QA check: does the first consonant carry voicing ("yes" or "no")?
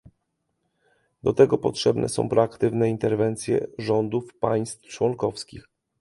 yes